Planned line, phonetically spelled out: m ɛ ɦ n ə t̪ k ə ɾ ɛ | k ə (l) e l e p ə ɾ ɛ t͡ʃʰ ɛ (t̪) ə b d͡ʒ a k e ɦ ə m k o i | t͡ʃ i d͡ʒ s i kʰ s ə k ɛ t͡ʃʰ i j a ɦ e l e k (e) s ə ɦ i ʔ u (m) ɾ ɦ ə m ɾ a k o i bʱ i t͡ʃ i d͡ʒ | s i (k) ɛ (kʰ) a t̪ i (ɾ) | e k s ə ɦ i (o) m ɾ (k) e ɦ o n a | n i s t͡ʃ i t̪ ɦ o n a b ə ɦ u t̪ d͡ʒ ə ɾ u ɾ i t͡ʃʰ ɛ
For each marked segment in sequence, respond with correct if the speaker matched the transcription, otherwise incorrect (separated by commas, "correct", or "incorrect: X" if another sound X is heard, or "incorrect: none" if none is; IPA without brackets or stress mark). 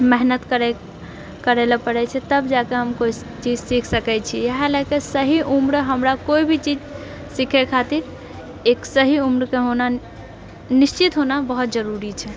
incorrect: ɾ, correct, correct, correct, incorrect: kʰ, correct, correct, incorrect: u, correct